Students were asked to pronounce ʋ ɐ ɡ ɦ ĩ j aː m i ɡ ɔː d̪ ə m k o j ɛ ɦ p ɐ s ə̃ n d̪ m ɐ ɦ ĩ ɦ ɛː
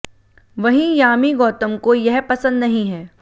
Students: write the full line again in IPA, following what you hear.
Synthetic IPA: ʋ ɐ ɦ ĩ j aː m i ɡ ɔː t̪ ə m k o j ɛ ɦ p ɐ s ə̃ n d̪ n ɐ ɦ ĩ ɦ ɛː